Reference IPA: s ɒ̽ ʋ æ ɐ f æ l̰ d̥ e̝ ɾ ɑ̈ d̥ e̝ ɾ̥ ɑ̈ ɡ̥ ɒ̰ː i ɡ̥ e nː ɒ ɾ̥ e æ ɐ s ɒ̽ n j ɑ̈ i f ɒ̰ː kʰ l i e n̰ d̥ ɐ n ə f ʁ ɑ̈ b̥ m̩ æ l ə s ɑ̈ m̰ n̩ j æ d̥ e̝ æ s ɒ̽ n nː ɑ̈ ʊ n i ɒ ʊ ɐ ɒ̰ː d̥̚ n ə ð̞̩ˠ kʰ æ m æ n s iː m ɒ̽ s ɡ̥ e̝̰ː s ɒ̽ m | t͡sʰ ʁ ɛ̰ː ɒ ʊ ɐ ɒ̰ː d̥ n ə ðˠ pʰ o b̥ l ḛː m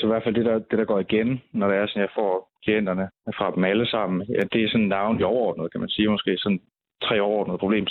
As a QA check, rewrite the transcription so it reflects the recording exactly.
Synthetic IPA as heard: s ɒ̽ ʋ æ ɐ f æ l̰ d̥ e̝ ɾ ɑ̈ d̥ e̝ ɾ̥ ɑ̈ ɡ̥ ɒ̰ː i ɡ̥ e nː ɒ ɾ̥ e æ ɐ s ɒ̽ n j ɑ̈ ɪ f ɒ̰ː kʰ l i e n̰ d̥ ɐ n ə f ʁ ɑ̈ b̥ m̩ æ l ə s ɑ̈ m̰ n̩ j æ d̥ e̝ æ s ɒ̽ n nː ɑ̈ ʊ n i ɒ ʊ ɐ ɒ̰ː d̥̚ n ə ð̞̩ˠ kʰ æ m æ n s iː m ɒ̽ s ɡ̥ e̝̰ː s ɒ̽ n | t͡sʰ ʁ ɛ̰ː ɒ ʊ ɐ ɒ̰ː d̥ n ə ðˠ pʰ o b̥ l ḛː m